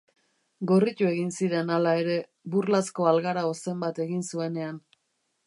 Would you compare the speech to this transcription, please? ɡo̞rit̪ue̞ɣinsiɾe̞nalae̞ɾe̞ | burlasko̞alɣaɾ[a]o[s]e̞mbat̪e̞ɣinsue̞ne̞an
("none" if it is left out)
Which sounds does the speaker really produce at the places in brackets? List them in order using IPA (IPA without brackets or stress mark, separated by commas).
a, s